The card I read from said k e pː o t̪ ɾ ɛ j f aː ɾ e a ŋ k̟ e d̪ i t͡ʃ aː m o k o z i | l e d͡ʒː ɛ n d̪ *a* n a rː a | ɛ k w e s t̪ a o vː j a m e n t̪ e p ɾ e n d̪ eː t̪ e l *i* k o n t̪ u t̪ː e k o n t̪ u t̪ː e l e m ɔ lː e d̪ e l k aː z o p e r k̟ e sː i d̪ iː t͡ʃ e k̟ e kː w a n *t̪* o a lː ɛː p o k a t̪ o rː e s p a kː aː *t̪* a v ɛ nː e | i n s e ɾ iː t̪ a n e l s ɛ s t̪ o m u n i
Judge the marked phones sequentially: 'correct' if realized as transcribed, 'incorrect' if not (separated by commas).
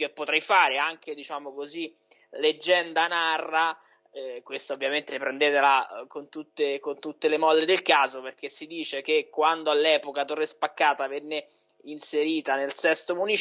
correct, incorrect, incorrect, correct